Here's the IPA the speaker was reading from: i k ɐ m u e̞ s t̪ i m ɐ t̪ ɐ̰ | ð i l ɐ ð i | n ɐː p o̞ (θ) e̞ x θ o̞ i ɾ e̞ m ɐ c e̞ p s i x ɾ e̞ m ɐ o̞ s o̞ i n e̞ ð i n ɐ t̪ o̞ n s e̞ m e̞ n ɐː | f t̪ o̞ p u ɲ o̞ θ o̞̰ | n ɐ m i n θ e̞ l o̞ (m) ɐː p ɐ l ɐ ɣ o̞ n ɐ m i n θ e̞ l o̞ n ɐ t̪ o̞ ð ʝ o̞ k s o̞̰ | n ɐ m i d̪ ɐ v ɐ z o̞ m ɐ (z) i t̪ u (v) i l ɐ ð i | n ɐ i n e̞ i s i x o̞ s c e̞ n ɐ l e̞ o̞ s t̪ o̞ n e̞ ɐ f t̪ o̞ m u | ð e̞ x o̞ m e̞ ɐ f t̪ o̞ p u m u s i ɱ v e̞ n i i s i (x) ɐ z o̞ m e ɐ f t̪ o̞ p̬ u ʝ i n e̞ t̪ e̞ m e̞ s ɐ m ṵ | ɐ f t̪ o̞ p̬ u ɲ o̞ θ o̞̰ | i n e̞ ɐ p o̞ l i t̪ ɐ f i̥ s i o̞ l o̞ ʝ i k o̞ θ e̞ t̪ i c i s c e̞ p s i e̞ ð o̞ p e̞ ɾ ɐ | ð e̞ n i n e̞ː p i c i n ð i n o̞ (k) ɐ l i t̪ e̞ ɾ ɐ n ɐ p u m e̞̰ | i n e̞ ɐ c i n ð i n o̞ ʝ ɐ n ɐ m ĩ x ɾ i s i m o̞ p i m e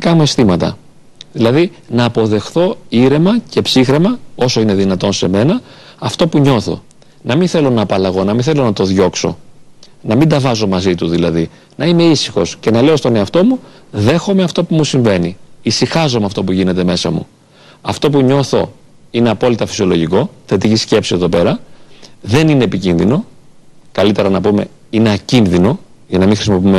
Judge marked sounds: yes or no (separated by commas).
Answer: no, no, yes, no, yes, yes